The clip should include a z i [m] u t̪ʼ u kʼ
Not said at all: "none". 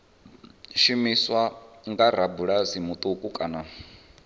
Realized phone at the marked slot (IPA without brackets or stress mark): m